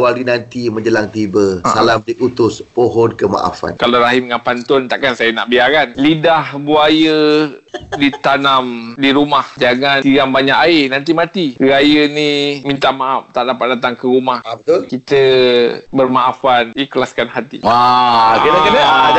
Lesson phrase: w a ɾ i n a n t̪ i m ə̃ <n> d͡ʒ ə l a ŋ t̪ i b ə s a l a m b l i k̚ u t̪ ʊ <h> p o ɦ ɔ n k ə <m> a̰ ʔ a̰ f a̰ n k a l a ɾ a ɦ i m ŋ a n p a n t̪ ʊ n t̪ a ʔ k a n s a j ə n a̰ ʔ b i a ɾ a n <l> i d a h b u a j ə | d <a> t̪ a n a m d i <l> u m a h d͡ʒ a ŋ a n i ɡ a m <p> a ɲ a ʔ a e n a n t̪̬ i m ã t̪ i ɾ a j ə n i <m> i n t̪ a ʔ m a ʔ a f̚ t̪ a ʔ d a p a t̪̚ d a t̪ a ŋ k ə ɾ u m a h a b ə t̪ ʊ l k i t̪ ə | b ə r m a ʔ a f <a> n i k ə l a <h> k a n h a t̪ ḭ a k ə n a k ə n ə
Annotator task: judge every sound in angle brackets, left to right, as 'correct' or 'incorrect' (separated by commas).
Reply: incorrect, incorrect, correct, correct, incorrect, incorrect, incorrect, correct, correct, incorrect